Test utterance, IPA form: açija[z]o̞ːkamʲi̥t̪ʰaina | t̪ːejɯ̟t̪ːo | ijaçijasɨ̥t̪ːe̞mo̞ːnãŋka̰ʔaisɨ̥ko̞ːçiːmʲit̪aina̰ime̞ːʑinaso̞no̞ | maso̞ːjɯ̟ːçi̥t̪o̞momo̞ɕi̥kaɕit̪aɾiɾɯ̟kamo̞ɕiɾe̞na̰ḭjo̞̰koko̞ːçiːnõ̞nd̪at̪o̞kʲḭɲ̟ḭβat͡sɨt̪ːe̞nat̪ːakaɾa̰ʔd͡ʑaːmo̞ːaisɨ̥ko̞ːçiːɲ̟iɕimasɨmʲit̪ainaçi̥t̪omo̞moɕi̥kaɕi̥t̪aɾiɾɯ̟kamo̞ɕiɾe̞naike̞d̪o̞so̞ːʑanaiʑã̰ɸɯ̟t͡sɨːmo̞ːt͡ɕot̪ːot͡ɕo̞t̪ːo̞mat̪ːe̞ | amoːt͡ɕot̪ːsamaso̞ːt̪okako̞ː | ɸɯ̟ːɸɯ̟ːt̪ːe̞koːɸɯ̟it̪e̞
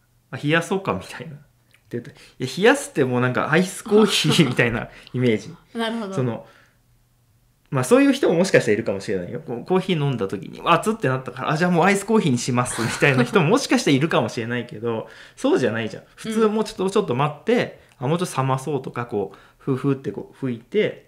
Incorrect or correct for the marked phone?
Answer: incorrect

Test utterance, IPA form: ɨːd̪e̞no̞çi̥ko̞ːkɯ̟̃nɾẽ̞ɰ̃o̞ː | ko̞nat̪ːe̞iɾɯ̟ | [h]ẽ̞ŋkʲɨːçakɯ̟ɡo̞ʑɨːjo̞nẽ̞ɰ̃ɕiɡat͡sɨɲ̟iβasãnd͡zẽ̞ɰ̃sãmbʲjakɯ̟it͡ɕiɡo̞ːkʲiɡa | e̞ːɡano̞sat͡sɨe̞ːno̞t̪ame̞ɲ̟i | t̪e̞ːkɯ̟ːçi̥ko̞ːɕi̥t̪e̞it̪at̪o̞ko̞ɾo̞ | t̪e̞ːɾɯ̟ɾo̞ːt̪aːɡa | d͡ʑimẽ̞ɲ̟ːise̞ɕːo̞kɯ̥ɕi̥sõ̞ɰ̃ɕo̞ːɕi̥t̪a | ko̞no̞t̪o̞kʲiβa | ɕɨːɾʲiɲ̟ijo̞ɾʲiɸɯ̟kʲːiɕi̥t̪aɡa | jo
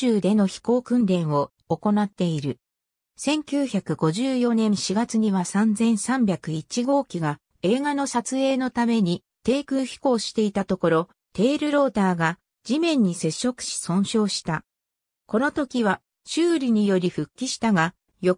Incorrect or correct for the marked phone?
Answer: incorrect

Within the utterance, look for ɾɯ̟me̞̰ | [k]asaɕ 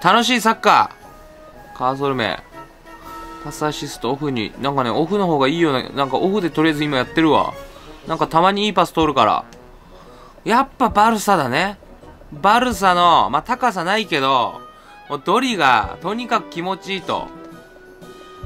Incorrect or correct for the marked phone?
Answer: incorrect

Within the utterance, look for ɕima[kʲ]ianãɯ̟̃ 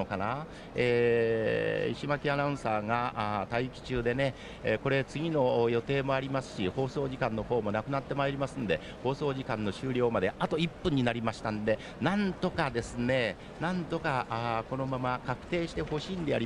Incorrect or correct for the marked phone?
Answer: correct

